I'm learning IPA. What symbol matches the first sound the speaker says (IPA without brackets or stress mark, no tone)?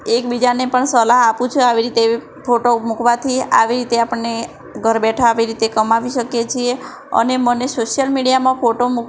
e